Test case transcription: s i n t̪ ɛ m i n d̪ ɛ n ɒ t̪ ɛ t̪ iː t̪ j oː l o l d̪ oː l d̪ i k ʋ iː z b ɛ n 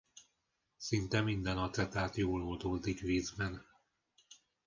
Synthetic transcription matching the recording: s i n t̪ ɛ m i n d̪ ɛ n ɒ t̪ ɛ t̪ aː t̪ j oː l o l d̪ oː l d̪ i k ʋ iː z b ɛ n